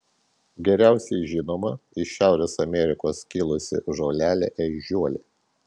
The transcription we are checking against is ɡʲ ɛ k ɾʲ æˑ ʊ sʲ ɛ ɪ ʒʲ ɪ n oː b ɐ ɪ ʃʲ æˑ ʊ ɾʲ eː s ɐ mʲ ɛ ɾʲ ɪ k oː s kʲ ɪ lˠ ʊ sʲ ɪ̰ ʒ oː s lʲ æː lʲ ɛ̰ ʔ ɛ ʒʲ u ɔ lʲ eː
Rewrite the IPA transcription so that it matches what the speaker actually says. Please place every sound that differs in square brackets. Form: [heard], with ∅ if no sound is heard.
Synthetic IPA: ɡʲ ɛ [∅] ɾʲ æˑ ʊ sʲ ɛ ɪ ʒʲ ɪ n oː [m] ɐ ɪ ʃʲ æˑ ʊ ɾʲ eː s ɐ mʲ ɛ ɾʲ ɪ k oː s kʲ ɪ lˠ ʊ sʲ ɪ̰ ʒ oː [∅] lʲ æː lʲ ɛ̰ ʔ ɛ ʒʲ u ɔ lʲ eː